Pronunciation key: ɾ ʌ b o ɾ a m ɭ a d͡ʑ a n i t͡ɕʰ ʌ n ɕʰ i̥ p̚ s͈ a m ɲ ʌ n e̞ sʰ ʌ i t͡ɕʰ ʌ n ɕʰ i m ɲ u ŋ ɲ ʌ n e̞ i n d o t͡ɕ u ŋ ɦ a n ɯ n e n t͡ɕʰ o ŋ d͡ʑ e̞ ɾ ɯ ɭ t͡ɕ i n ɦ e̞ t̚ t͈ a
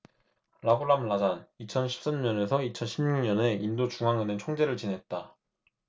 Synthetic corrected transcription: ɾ a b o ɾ a m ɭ a d͡ʑ a n i t͡ɕʰ ʌ n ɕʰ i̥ p̚ s͈ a m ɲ ʌ n e̞ sʰ ʌ i t͡ɕʰ ʌ n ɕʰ i m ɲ u ŋ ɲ ʌ n e̞ i n d o t͡ɕ u ŋ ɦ a ŋ ɯ n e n t͡ɕʰ o ŋ d͡ʑ e̞ ɾ ɯ ɭ t͡ɕ i n ɦ e̞ t̚ t͈ a

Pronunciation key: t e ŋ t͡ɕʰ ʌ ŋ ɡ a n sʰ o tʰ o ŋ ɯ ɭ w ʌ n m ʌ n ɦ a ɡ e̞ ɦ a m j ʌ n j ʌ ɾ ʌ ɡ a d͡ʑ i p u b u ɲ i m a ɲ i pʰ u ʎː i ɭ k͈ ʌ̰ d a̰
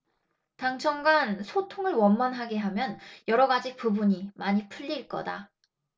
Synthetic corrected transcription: t a ŋ t͡ɕʰ ʌ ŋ ɡ a n sʰ o tʰ o ŋ ɯ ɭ w ʌ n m ʌ n ɦ a ɡ e̞ ɦ a m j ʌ n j ʌ ɾ ʌ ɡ a d͡ʑ i p u b u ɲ i m a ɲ i pʰ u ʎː i ɭ k͈ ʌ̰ d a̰

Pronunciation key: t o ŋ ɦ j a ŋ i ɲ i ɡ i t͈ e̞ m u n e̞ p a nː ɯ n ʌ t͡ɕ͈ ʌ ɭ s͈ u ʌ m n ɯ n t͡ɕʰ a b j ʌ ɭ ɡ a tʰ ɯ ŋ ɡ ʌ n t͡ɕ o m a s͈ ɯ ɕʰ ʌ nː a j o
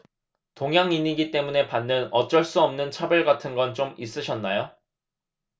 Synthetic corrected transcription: t o ŋ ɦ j a ŋ i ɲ i ɡ i t͈ e̞ m u n e̞ p a nː ɯ n ʌ t͡ɕ͈ ʌ ɭ s͈ u ʌ m n ɯ n t͡ɕʰ a b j ʌ ɭ ɡ a tʰ ɯ n ɡ ʌ n t͡ɕ o m i s͈ ɯ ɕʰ ʌ nː a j o

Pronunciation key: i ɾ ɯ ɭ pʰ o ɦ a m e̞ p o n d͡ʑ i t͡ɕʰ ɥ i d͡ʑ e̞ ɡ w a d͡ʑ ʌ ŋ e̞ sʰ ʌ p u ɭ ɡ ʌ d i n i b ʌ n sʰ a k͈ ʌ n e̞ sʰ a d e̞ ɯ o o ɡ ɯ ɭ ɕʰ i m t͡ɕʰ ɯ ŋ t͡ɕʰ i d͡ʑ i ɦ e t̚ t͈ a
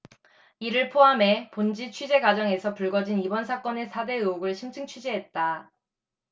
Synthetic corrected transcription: i ɾ ɯ ɭ pʰ o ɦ a m e̞ p o n d͡ʑ i t͡ɕʰ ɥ i d͡ʑ e̞ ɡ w a d͡ʑ ʌ ŋ e̞ sʰ ʌ p u ɭ ɡ ʌ d͡ʑ i n i b ʌ n sʰ a k͈ ʌ n e̞ sʰ a d e̞ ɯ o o ɡ ɯ ɭ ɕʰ i m t͡ɕʰ ɯ ŋ t͡ɕʰ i d͡ʑ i ɦ e t̚ t͈ a

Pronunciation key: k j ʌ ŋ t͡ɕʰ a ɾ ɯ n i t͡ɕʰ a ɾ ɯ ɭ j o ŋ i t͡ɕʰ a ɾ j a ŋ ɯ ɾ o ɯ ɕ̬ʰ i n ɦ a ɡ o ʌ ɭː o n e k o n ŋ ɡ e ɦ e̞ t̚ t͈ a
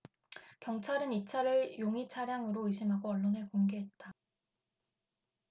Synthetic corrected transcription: k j ʌ ŋ t͡ɕʰ a ɾ ɯ n i t͡ɕʰ a ɾ ɯ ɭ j o ŋ i t͡ɕʰ a ɾ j a ŋ ɯ ɾ o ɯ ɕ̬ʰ i m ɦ a ɡ o ʌ ɭː o n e k o ŋ ɡ e ɦ e̞ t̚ t͈ a

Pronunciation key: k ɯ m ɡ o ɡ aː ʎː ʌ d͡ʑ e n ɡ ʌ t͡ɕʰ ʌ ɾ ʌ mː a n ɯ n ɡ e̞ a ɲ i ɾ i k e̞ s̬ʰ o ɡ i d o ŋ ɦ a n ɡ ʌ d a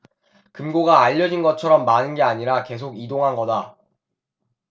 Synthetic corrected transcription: k ɯ m ɡ o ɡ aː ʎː ʌ d͡ʑ i n ɡ ʌ t͡ɕʰ ʌ ɾ ʌ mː a n ɯ n ɡ e̞ a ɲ i ɾ a k e̞ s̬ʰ o ɡ i d o ŋ ɦ a n ɡ ʌ d a

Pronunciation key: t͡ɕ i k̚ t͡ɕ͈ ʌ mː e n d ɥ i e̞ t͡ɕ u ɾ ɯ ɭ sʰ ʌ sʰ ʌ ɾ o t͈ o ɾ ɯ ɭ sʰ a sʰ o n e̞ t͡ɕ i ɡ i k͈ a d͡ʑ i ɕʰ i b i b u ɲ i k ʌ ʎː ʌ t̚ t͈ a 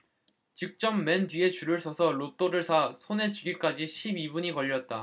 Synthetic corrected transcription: t͡ɕ i k̚ t͡ɕ͈ ʌ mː e n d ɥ i e̞ t͡ɕ u ɾ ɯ ɭ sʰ ʌ sʰ ʌ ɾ o t͈ o ɾ ɯ ɭ sʰ a sʰ o n e̞ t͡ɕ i ɡ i k͈ a d͡ʑ i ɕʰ i b i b u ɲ i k ʌ ʎː ʌ t̚ t͈ a

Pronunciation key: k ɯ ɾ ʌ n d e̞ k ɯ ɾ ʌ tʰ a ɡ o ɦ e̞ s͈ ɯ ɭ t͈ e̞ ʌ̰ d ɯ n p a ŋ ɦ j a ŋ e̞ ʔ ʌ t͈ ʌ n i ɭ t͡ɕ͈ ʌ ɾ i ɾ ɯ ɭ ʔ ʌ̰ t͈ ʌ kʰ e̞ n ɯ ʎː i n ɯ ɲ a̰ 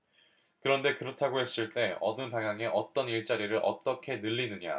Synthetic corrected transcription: k ɯ ɾ ʌ n d e̞ k ɯ ɾ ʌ tʰ a ɡ o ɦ e̞ s͈ ɯ ɭ t͈ e̞ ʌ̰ d ɯ n p a ŋ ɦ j a ŋ e̞ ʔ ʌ t͈ ʌ n i ɭ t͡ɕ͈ a ɾ i ɾ ɯ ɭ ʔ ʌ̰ t͈ ʌ kʰ e̞ n ɯ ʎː i n ɯ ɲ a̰

